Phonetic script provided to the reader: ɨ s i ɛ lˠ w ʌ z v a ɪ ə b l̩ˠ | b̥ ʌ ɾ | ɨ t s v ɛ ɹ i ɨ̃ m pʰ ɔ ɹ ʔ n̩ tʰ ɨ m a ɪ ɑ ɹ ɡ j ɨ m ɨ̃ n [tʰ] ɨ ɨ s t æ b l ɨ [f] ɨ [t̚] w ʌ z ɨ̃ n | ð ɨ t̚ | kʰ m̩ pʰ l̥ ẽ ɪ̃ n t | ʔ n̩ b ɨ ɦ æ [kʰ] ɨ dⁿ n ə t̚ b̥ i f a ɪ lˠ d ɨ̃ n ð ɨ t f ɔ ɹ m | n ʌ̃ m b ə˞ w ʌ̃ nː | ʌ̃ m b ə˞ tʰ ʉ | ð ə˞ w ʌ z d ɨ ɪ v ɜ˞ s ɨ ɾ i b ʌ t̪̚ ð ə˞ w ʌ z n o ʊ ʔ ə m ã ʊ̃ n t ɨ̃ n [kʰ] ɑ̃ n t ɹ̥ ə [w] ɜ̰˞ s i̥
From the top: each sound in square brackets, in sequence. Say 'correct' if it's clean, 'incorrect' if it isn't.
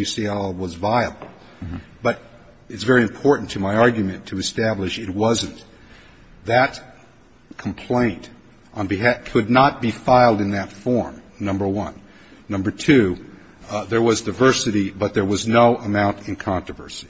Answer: correct, incorrect: ʃ, correct, correct, correct, incorrect: v

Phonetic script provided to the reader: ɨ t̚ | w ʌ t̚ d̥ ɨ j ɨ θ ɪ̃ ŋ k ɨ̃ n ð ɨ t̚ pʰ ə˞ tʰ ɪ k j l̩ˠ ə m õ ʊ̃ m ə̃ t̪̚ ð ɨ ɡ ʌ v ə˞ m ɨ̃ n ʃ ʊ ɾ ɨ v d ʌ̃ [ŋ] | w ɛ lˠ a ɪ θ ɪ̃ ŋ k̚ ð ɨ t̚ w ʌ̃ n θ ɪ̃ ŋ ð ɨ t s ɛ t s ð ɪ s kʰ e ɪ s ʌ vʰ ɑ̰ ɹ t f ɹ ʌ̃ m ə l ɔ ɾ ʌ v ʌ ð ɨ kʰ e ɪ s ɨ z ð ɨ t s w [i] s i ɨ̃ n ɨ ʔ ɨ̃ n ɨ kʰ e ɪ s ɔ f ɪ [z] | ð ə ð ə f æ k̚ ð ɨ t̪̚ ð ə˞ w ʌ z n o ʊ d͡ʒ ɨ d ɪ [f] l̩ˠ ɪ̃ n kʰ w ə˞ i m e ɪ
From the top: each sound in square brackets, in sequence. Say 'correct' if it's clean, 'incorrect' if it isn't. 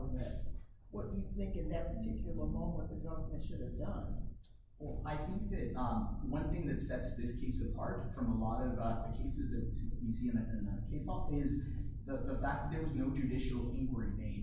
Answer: incorrect: n, correct, correct, incorrect: ʃ

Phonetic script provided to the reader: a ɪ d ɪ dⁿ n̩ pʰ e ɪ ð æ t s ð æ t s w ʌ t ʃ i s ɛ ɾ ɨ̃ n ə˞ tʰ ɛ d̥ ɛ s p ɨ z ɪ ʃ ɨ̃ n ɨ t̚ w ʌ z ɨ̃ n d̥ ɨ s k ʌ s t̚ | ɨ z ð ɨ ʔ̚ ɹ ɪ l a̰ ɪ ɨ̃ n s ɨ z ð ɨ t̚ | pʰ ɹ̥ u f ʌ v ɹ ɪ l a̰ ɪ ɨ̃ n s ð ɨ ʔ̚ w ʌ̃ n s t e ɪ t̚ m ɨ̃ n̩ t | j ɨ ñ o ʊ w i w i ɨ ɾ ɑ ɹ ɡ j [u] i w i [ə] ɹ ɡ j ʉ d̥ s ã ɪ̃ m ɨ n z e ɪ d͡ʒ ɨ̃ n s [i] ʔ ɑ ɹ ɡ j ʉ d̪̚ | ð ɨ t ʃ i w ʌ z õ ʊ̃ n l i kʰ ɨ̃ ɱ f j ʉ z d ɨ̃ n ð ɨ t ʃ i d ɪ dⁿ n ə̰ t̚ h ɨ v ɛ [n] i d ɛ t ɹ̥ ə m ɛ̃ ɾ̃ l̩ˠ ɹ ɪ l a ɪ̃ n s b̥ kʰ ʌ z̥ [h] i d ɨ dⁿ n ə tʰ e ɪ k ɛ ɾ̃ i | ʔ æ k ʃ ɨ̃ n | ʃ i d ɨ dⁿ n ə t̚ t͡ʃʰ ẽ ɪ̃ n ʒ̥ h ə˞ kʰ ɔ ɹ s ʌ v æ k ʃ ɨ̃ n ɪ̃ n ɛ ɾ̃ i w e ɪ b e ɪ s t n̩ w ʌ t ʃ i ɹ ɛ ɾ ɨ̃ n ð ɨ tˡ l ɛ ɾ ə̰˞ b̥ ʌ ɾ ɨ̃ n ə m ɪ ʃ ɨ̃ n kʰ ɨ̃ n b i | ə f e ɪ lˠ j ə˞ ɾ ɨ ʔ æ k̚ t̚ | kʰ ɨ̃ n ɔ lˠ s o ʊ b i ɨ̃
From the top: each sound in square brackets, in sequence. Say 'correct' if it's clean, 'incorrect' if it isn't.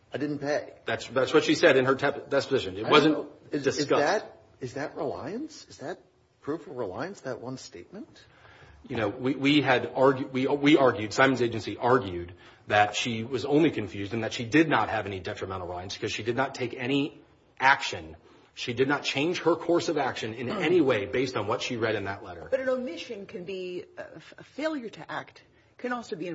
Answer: incorrect: w, incorrect: ɑ, correct, correct, incorrect: ʃ

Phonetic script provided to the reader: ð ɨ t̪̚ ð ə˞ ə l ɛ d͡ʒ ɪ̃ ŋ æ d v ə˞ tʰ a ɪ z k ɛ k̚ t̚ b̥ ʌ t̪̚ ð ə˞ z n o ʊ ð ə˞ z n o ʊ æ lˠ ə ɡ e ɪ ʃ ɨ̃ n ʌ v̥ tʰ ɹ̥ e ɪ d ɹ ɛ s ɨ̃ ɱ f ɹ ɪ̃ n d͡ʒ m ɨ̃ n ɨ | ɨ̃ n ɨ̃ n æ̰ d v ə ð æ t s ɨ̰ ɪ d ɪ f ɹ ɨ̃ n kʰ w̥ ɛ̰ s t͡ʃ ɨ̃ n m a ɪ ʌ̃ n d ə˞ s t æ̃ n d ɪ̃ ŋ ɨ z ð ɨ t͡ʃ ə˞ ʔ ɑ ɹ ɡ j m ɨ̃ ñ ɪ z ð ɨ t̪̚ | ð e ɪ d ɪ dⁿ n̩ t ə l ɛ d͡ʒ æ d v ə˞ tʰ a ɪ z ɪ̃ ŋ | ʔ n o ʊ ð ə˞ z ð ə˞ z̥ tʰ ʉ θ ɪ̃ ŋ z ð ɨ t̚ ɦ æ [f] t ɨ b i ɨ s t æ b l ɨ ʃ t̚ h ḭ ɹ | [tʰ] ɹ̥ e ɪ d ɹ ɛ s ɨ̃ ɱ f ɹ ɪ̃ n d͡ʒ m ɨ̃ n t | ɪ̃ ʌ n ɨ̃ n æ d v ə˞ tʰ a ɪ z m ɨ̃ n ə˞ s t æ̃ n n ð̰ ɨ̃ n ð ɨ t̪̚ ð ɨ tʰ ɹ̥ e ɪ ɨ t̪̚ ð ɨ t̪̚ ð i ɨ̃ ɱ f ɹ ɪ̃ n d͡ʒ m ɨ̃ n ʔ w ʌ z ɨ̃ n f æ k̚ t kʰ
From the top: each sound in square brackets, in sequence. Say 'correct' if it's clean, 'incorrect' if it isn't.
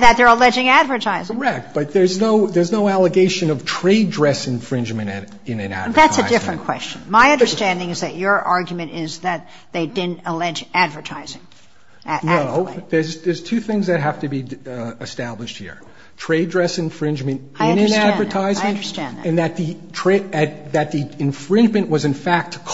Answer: correct, correct

